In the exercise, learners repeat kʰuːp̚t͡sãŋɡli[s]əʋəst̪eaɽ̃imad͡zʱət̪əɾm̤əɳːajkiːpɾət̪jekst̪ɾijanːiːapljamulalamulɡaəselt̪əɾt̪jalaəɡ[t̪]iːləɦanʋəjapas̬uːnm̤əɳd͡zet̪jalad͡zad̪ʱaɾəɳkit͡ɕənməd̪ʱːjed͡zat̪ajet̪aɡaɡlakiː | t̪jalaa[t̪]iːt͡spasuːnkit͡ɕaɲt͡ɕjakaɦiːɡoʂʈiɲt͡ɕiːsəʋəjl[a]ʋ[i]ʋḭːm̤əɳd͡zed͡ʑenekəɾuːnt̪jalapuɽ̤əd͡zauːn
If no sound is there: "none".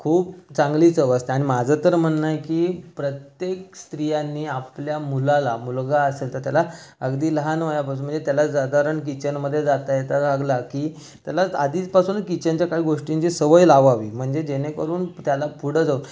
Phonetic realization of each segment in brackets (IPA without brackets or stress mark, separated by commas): t͡s, d̪, d̪, a, a